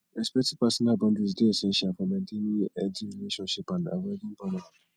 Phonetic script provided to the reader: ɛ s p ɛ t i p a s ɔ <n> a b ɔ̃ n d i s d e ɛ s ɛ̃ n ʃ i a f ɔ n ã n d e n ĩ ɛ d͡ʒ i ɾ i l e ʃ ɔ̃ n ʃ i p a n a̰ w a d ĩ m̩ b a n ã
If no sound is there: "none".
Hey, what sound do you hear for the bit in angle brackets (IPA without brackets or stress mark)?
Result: n